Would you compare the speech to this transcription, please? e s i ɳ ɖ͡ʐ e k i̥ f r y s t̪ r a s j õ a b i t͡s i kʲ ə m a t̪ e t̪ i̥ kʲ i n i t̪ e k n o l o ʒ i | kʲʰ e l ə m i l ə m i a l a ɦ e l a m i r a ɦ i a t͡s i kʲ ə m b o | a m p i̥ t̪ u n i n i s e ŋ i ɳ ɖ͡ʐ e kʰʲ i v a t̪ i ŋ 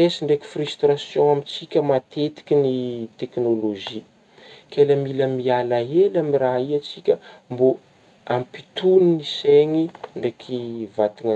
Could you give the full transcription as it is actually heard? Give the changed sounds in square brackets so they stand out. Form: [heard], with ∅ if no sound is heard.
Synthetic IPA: e s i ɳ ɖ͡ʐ e k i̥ f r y s t̪ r a s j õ a [m] i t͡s i kʲ ə m a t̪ e t̪ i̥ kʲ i n i t̪ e k n o l o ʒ i | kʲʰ e l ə m i l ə m i a l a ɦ e l a m i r a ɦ i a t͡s i kʲ ə m b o | a m p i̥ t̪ u n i n i s e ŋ i ɳ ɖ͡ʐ e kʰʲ i v a t̪ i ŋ